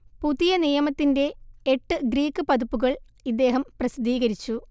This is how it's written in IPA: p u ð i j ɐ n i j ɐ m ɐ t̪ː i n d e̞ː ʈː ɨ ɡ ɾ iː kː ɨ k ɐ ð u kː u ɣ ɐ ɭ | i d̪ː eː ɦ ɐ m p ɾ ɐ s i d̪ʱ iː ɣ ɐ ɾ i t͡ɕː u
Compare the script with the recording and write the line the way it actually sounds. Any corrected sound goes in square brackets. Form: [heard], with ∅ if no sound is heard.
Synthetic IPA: p u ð i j ɐ n i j ɐ m ɐ t̪ː i n d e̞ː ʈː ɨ ɡ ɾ iː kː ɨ [p] ɐ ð u [pː] u ɣ ɐ ɭ | i d̪ː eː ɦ ɐ m p [r] ɐ s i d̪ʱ iː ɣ ɐ ɾ i t͡ɕː u